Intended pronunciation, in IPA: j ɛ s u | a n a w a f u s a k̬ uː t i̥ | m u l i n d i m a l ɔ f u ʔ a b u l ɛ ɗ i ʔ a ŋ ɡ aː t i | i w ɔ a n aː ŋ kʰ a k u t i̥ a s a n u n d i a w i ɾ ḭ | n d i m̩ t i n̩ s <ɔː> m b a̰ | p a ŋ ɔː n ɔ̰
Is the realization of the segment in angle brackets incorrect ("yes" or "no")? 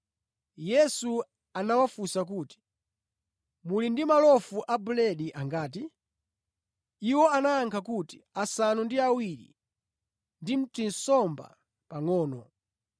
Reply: yes